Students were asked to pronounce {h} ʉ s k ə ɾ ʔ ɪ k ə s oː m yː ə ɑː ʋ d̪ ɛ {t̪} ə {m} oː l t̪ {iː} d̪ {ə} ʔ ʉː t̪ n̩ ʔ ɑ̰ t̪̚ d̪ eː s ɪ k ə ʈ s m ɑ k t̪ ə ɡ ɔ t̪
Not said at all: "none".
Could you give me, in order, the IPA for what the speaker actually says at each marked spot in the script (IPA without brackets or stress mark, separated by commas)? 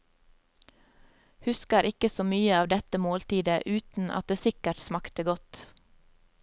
h, t̪, m, iː, ə